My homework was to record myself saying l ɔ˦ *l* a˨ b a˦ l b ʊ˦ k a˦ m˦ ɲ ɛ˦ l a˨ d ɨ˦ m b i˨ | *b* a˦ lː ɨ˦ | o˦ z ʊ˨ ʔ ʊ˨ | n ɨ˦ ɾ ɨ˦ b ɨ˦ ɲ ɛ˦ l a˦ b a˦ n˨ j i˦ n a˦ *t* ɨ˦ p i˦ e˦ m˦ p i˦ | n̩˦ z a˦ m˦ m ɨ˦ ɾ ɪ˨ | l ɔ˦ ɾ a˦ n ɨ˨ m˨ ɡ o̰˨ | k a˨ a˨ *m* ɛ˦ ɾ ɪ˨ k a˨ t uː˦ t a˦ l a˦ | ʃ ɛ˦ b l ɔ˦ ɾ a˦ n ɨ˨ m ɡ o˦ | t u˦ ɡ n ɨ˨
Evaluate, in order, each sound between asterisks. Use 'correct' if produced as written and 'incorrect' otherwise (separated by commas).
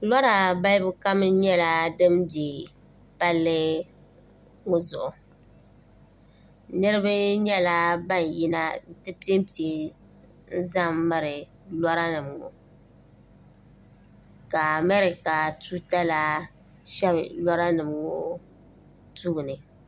incorrect, incorrect, correct, correct